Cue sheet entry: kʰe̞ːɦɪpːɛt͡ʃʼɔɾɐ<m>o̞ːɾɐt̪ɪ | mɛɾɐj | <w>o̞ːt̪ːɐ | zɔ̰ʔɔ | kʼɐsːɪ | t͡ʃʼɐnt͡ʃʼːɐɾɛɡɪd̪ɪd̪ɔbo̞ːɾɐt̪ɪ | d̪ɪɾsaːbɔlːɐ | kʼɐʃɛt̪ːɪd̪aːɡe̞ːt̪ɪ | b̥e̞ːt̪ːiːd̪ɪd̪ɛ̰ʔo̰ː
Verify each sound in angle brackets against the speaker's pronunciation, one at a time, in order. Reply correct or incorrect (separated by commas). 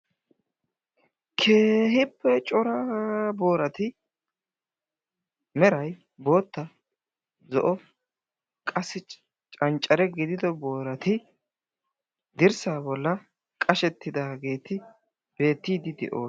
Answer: incorrect, incorrect